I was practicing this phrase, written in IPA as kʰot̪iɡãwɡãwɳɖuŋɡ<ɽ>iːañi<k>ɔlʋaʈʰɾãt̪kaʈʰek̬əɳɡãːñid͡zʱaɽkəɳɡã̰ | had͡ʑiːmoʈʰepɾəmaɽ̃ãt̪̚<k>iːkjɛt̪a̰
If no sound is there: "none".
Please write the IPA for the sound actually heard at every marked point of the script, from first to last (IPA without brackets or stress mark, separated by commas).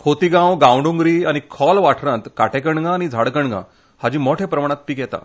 ɾ, kʰ, p